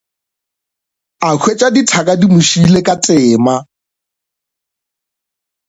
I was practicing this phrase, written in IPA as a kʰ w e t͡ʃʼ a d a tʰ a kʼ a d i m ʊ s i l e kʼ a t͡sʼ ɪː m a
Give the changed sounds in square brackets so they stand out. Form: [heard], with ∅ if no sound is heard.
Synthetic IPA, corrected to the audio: a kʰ w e t͡ʃʼ a d [i] tʰ a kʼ a d i m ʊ [ʃ] i l e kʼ a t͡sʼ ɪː m a